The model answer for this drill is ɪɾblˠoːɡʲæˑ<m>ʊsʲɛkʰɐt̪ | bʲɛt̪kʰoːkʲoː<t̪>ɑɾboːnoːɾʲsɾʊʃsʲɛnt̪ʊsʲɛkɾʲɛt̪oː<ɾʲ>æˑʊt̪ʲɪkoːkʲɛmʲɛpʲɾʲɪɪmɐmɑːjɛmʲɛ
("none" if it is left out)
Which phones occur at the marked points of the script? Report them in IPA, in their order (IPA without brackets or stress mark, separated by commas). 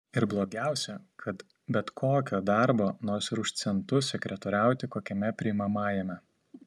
none, d̪, ɾʲ